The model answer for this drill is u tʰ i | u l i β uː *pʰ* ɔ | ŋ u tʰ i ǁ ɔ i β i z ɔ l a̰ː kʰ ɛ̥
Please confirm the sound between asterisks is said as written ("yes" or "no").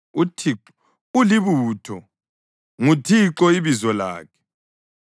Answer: no